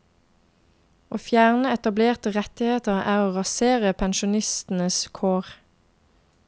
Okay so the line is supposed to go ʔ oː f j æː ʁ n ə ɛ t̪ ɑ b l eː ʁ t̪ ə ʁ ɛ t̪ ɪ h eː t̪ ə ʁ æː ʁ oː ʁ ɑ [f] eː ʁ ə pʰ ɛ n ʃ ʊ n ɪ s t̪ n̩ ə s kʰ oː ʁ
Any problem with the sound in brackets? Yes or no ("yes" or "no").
yes